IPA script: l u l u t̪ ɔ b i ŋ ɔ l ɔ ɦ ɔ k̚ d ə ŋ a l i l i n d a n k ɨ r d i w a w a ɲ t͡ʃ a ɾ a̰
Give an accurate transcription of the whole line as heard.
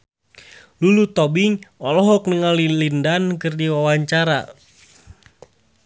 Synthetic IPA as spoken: l u l u t̪ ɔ b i ŋ ɔ l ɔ ɦ ɔ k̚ n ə ŋ a l i l i n d a n k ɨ r d i w a w a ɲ t͡ʃ a ɾ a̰